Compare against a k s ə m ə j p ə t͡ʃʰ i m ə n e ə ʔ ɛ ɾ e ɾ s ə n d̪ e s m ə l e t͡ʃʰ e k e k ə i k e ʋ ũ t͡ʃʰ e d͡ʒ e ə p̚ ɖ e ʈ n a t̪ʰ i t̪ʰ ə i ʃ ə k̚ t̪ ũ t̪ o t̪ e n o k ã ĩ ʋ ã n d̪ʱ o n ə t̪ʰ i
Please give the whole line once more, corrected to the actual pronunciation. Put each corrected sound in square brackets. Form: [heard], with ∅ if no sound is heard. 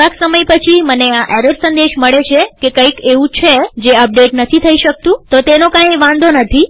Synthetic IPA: a k s ə m ə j p ə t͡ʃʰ i m ə n e [a] ʔ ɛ ɾ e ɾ s ə n d̪ e [ʃ] m ə [ɭ] e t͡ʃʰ e k e k ə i k e ʋ ũ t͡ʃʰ e d͡ʒ e ə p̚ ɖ e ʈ n [ə] t̪ʰ i t̪ʰ ə i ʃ ə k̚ t̪ ũ t̪ o t̪ e n o k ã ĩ ʋ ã n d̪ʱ o n ə t̪ʰ i